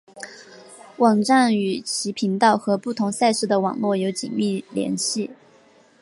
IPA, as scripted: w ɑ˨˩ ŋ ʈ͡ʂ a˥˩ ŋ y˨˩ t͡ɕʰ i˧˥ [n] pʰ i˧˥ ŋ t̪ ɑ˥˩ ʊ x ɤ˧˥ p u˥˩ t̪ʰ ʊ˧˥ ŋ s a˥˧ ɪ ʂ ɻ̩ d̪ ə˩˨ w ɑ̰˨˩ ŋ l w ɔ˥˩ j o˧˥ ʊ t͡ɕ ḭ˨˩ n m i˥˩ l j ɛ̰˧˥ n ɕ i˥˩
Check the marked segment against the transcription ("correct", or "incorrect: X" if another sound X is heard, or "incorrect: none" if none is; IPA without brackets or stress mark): incorrect: none